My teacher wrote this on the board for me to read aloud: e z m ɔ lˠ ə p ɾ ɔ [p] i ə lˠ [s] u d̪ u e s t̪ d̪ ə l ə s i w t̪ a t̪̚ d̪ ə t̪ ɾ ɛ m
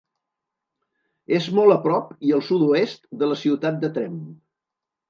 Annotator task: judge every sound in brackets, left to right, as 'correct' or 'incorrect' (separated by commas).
correct, correct